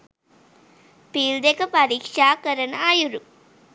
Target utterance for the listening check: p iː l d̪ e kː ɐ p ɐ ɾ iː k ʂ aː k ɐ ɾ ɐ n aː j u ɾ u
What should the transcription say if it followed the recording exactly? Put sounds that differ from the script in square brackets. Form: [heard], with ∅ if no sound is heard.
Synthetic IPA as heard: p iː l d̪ e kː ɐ p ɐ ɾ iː k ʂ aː k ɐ ɾ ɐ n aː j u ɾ u